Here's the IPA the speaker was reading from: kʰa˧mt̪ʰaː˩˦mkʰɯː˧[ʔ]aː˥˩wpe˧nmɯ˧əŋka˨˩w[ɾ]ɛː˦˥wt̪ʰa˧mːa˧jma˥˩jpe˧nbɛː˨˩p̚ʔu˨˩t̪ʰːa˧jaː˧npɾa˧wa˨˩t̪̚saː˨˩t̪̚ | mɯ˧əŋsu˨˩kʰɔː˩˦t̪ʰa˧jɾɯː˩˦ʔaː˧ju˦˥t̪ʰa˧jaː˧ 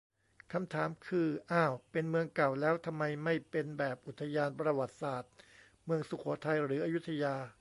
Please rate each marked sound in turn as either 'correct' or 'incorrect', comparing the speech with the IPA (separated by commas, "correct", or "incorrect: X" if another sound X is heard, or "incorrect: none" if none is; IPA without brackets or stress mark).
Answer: correct, incorrect: l